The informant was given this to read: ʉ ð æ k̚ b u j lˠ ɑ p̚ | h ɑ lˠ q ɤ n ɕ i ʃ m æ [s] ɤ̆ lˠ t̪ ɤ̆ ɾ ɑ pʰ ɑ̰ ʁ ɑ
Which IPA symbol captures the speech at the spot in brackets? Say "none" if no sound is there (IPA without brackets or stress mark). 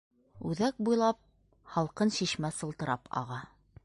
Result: s